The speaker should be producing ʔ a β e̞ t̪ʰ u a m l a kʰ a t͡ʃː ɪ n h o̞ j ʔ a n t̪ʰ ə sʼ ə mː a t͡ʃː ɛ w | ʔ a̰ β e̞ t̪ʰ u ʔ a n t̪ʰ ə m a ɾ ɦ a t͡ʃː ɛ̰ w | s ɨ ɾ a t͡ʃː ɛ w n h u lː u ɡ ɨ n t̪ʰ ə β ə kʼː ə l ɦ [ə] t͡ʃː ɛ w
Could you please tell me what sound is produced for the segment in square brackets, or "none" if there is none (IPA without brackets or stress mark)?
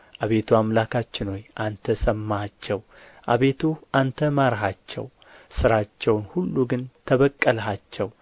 a